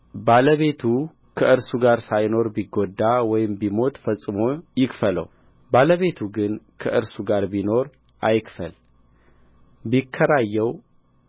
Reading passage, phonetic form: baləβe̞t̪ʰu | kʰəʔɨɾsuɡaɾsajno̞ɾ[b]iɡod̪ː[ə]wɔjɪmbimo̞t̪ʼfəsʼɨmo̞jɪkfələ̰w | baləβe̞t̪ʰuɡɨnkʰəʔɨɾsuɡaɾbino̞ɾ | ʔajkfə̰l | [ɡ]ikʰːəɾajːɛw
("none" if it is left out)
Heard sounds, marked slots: b, a, b

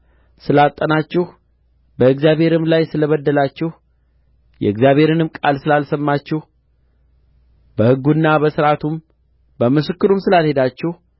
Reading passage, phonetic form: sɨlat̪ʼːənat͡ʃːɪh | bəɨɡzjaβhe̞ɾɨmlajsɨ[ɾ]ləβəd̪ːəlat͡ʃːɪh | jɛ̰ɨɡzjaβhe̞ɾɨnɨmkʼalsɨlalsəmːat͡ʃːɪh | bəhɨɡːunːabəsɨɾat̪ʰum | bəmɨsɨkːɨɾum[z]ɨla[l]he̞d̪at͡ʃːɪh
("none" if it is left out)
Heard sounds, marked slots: none, s, l

